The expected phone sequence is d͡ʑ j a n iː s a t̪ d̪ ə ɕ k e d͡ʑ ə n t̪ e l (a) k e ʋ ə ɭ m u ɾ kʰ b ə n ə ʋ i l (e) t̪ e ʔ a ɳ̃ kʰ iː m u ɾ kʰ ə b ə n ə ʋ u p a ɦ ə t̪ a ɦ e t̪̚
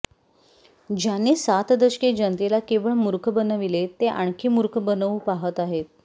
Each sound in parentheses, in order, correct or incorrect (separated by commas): correct, correct